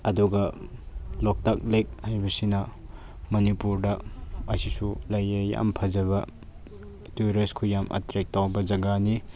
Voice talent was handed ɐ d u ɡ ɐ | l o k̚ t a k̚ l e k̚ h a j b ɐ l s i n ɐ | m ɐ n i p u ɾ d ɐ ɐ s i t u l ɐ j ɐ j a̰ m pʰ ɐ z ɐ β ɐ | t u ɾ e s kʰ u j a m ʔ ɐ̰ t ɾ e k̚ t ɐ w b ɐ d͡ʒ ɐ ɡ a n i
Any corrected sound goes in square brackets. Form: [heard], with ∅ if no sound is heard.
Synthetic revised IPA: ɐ d u ɡ ɐ | l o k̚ t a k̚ l e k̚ h a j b ɐ [∅] s i n ɐ | m ɐ n i p u ɾ d ɐ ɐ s i [s] u l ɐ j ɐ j a̰ m pʰ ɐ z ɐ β ɐ | t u ɾ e s kʰ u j a m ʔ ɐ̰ t ɾ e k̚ t [a] w b ɐ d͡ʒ ɐ ɡ a n i